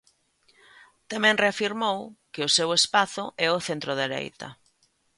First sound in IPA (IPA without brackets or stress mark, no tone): t̪